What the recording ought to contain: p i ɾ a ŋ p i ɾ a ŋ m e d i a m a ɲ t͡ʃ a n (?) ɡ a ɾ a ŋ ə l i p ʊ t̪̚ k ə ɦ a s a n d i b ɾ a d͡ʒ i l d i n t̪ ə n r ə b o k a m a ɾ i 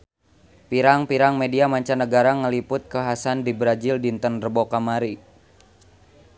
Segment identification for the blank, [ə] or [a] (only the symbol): ə